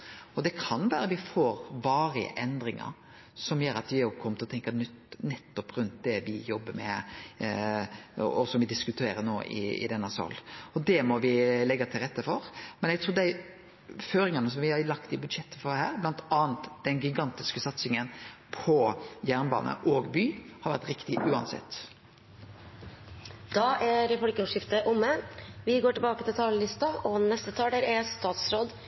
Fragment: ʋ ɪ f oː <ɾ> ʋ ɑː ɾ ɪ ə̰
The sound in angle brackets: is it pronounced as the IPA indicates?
yes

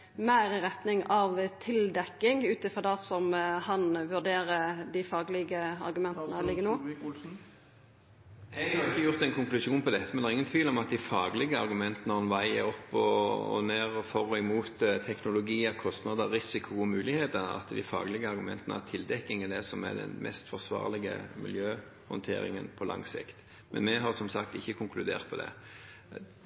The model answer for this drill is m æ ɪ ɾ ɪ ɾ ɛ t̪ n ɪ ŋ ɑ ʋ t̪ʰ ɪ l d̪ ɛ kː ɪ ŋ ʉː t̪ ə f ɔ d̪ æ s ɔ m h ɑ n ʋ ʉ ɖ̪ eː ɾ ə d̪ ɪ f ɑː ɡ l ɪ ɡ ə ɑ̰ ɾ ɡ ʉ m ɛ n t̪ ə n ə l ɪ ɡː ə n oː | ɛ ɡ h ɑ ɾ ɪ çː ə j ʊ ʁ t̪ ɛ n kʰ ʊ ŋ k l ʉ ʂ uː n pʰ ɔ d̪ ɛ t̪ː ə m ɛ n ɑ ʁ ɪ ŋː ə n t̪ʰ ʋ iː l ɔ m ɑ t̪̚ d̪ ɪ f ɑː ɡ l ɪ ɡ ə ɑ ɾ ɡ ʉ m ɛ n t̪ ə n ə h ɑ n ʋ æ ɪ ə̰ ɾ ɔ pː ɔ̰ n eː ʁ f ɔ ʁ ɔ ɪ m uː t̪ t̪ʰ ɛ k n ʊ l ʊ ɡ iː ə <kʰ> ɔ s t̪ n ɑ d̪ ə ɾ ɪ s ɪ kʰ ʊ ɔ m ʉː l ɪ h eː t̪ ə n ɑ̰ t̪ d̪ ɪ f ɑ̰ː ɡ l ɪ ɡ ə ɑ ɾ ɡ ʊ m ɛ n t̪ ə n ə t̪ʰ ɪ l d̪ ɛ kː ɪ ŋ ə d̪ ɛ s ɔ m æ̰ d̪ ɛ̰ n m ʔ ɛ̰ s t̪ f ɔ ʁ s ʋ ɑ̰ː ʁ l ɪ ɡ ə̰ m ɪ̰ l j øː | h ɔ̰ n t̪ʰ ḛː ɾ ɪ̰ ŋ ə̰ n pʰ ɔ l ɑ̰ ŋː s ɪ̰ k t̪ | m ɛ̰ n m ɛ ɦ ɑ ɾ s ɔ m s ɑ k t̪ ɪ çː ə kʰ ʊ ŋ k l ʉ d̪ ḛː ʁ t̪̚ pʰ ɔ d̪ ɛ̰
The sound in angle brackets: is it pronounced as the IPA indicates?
yes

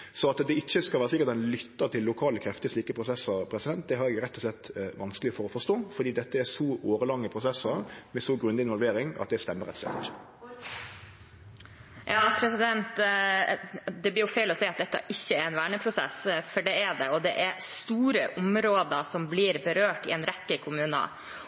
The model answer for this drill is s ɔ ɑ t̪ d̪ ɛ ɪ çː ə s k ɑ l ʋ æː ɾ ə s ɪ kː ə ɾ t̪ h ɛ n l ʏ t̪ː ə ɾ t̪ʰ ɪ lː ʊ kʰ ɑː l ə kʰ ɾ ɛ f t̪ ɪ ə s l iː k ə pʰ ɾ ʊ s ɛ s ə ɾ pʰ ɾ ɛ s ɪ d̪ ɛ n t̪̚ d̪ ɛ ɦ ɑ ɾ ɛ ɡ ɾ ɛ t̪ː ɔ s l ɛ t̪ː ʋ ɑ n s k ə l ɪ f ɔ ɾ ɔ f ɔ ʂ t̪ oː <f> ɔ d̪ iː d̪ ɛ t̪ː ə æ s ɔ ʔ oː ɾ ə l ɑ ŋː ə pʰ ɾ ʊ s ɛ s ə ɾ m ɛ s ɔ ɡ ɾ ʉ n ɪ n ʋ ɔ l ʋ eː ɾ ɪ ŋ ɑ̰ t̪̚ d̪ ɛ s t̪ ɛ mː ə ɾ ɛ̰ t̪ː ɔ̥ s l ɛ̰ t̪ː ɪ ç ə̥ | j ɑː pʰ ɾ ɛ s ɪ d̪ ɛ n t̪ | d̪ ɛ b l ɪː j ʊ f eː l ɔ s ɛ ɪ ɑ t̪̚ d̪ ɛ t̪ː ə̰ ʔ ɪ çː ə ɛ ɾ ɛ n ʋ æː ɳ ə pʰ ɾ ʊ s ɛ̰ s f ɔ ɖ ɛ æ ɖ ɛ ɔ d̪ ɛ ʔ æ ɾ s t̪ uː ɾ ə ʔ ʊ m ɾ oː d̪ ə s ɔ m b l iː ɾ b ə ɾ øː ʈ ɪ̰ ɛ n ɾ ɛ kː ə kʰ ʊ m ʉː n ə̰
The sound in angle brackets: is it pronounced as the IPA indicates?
yes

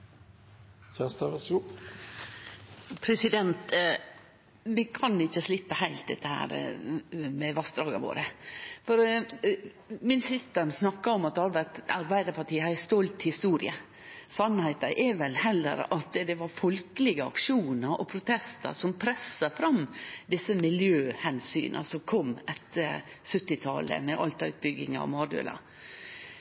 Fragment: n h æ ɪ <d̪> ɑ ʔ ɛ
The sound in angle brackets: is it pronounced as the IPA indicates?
no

